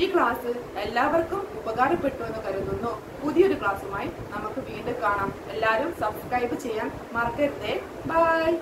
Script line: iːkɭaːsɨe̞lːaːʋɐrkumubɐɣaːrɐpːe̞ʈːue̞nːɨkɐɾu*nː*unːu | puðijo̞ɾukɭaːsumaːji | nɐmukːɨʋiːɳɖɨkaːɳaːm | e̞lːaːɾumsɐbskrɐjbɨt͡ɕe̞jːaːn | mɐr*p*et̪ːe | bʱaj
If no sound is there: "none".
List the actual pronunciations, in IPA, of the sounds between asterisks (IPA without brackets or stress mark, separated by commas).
nː, k